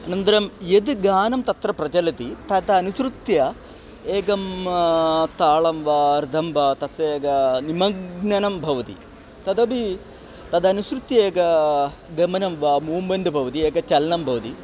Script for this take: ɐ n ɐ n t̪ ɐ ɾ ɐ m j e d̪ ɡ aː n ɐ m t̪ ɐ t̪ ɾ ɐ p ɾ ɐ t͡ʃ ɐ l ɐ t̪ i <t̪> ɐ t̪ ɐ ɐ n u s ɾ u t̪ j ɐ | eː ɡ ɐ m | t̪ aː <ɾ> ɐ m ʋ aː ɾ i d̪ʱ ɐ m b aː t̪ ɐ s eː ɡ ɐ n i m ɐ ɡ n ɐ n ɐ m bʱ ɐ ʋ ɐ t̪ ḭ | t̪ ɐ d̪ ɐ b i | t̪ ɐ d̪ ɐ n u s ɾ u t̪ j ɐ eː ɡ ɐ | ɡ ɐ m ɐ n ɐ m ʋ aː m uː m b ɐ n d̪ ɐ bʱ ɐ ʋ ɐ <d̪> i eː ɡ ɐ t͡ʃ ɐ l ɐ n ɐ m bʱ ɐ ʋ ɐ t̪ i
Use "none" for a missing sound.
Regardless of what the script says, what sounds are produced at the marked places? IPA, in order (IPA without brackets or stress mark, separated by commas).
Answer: t̪, ɭ, t̪